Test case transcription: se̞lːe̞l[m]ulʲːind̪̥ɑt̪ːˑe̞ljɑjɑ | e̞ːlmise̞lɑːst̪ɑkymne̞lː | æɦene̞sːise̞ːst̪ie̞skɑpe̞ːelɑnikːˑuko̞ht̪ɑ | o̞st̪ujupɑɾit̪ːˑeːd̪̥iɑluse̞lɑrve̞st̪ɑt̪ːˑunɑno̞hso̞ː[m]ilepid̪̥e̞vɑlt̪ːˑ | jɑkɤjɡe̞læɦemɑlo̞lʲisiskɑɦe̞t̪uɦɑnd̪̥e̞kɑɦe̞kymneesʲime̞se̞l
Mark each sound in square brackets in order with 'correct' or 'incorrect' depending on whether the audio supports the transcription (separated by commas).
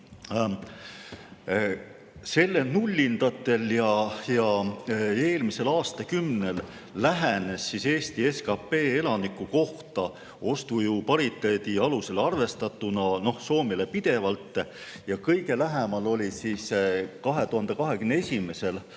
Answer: incorrect, correct